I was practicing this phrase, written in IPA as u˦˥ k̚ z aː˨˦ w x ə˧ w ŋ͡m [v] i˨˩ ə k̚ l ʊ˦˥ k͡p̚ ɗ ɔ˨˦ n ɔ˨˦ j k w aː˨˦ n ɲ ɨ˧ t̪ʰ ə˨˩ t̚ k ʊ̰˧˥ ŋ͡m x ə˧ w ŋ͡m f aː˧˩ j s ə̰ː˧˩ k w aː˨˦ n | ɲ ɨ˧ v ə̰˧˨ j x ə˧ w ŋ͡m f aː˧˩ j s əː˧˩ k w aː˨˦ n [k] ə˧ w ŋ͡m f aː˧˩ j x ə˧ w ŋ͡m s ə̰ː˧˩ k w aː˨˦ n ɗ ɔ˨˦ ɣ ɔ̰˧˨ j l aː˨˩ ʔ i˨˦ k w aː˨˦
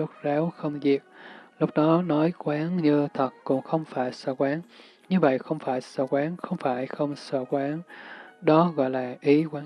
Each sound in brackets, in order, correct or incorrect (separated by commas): incorrect, incorrect